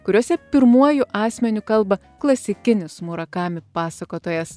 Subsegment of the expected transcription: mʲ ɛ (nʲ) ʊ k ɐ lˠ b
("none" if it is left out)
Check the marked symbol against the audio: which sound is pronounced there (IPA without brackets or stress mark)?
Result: nʲ